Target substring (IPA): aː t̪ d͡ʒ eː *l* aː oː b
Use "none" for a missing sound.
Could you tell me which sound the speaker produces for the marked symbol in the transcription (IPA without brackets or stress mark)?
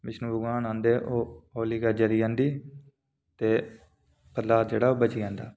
ɽ